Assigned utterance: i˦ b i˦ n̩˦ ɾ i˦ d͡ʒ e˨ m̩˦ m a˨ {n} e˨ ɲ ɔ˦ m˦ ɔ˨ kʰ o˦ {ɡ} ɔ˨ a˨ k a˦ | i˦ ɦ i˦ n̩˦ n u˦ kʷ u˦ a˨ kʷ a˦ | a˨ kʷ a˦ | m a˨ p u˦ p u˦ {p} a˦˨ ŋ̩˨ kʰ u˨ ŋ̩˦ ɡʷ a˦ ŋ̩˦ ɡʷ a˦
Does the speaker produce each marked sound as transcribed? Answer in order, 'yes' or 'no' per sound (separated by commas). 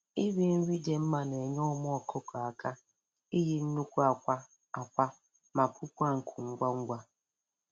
yes, no, no